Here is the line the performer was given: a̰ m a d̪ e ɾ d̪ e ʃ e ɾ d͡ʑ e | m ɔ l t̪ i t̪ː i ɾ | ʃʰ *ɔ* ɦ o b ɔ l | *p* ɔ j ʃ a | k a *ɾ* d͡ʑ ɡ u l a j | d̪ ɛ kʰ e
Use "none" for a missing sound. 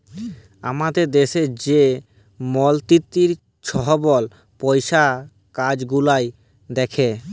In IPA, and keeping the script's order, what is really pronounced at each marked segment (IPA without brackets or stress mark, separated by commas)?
ɔ, p, none